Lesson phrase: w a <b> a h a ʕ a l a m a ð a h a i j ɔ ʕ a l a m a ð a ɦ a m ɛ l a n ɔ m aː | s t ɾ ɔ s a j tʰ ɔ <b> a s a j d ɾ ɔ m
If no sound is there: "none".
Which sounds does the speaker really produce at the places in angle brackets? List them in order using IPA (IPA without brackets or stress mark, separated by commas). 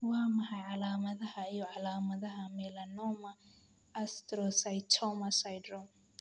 m, m